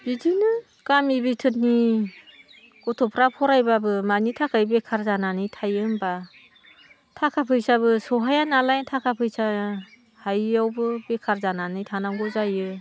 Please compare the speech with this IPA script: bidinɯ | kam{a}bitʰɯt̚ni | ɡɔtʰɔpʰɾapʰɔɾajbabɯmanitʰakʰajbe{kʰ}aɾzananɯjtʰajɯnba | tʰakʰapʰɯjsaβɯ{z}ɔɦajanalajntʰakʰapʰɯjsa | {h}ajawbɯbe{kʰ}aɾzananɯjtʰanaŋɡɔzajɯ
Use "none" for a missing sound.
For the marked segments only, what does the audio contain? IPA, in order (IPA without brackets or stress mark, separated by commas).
i, kʰ, s, h, kʰ